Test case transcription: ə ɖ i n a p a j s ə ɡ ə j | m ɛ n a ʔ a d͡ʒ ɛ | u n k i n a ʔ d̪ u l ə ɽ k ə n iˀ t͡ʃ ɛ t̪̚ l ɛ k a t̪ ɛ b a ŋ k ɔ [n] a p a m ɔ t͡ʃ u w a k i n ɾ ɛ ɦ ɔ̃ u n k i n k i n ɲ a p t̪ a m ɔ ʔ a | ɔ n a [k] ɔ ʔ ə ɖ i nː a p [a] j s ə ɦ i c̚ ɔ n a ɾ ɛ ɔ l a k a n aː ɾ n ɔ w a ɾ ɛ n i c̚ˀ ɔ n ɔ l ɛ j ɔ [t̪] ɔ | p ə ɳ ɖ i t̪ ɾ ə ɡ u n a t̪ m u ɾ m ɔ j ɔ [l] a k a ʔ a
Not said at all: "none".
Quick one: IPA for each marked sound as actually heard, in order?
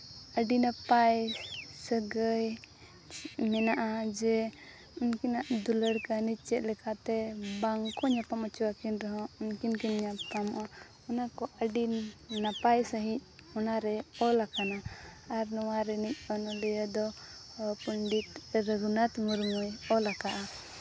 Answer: ɲ, k, a, d̪, l

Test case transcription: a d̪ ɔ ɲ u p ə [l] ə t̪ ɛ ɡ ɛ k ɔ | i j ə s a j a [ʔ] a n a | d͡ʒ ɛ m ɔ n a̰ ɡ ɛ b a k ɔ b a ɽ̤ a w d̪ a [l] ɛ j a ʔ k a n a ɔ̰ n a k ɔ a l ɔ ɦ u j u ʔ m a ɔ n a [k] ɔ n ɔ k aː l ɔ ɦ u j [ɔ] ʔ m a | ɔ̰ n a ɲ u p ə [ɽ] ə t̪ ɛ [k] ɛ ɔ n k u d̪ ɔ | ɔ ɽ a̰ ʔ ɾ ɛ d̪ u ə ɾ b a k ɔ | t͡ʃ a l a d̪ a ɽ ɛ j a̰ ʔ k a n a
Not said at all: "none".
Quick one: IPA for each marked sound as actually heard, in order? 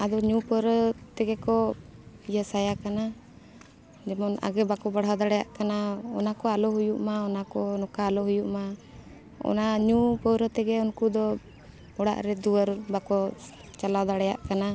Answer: ɾ, k, ɽ, k, u, ɾ, ɡ

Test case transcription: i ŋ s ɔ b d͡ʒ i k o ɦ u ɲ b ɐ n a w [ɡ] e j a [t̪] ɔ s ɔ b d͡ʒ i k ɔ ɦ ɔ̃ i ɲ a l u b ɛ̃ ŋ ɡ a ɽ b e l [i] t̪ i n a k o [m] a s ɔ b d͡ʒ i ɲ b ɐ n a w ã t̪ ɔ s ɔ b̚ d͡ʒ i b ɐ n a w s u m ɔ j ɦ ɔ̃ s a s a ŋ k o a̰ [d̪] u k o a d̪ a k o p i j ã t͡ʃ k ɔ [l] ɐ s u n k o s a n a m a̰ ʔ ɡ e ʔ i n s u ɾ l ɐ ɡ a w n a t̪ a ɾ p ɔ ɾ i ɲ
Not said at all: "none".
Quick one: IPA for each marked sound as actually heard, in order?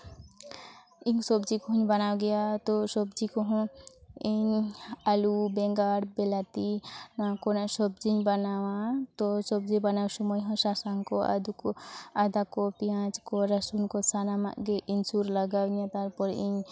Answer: ɡ, t̪, a, n, d̪, ɾ

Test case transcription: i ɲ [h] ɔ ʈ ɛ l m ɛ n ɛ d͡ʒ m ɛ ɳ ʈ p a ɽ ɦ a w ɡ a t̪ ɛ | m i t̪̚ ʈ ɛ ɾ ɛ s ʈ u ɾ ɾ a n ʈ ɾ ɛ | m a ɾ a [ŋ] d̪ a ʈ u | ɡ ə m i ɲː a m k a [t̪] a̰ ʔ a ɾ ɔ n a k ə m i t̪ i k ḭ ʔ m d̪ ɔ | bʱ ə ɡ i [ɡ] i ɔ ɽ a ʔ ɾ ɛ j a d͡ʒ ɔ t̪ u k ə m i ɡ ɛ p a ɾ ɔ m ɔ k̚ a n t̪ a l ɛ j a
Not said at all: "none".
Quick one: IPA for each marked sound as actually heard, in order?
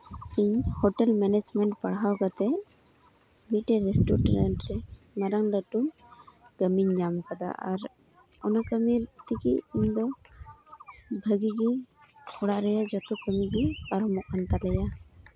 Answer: h, ŋ, d̪, ɡ

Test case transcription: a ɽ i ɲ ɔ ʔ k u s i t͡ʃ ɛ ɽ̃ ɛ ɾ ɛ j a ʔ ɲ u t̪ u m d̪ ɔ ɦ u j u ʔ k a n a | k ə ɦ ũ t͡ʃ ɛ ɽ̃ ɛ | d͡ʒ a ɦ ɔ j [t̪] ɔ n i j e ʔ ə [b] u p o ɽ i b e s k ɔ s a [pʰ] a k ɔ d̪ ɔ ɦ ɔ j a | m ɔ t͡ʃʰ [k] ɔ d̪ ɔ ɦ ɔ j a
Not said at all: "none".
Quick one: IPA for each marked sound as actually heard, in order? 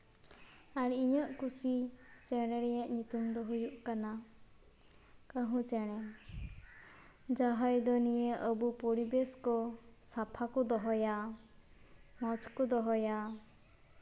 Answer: d̪, b, pʰ, k

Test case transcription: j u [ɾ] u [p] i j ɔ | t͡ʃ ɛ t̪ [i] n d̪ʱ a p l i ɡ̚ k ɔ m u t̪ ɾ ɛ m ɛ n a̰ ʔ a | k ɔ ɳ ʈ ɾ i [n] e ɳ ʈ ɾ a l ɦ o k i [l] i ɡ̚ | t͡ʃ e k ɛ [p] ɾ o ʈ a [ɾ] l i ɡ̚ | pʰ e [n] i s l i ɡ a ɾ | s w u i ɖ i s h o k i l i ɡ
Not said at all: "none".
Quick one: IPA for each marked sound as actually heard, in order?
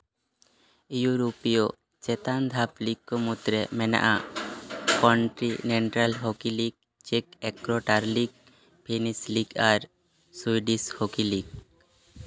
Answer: ɾ, p, a, n, l, k, ɾ, n

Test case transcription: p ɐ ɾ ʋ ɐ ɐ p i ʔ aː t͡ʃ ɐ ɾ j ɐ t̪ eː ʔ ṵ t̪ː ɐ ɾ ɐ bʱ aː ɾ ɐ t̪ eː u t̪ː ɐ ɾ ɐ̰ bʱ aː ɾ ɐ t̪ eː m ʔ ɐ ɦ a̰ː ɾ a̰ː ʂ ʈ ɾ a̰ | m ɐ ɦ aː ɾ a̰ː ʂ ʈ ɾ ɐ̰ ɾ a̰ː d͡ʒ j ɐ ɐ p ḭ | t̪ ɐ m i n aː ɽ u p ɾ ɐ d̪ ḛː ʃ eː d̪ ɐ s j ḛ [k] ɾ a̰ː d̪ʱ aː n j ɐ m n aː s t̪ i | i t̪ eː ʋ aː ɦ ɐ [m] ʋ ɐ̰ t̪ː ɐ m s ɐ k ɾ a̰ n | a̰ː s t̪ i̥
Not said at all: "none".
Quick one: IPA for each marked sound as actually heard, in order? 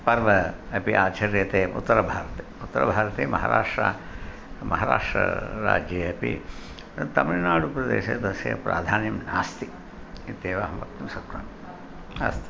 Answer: p, m

